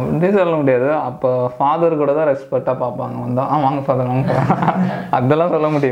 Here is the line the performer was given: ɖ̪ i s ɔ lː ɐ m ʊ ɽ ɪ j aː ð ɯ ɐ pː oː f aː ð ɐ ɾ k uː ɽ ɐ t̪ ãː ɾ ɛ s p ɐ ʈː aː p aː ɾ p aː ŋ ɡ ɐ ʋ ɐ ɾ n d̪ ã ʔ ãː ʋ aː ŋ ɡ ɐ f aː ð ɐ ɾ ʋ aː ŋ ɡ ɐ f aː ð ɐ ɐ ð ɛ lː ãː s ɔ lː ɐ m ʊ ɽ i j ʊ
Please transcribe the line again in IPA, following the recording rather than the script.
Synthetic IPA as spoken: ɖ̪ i s ɔ lː ɐ m ʊ ɽ ɪ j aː ð ɯ ɐ pː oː f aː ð ɐ ɾ k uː ɽ ɐ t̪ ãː ɾ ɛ s p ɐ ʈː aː p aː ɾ p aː ŋ ɡ ɐ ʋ ɐ n d̪ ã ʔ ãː ʋ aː ŋ ɡ ɐ f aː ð ɐ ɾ ʋ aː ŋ ɡ ɐ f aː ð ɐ ɐ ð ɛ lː ãː s ɔ lː ɐ m ʊ ɽ ɪ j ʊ